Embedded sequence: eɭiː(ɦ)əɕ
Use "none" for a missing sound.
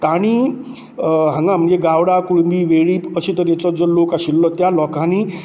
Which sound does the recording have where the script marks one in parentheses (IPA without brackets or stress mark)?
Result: none